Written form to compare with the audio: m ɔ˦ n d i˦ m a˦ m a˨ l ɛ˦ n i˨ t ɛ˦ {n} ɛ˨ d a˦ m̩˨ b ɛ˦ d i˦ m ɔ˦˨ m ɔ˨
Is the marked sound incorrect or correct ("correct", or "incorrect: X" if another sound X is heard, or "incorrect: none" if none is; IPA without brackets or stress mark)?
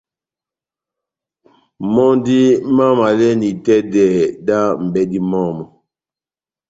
incorrect: d